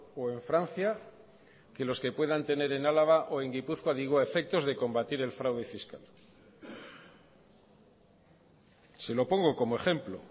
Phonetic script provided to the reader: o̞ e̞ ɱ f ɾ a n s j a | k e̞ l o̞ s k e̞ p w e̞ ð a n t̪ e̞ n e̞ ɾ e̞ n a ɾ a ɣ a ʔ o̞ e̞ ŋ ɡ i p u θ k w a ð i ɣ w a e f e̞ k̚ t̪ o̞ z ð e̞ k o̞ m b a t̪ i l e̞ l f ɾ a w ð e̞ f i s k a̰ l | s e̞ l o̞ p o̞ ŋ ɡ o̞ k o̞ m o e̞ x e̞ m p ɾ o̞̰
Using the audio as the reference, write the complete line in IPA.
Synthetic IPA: o̞ e̞ ɱ f ɾ a n θ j a | k e̞ l o̞ s k e̞ p w e̞ ð a n t̪ e̞ n e̞ ɾ e̞ n a l a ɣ a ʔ o̞ e̞ ŋ ɡ i p u θ k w a ð i ɣ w a e f e̞ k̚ t̪ o̞ z ð e̞ k o̞ m b a t̪ i ɾ e̞ l f ɾ a w ð e̞ f i s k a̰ l | s e̞ l o̞ p o̞ ŋ ɡ o̞ k o̞ m o e̞ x e̞ m p l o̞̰